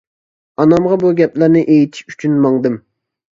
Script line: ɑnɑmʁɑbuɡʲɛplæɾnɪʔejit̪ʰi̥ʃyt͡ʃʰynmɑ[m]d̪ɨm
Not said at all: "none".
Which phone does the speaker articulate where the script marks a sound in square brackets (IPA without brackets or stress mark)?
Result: ŋ